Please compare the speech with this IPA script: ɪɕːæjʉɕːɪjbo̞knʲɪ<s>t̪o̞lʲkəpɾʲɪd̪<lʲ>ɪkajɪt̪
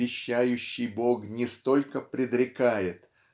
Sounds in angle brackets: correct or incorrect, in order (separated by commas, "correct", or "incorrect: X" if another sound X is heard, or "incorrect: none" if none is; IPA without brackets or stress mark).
correct, incorrect: ɾʲ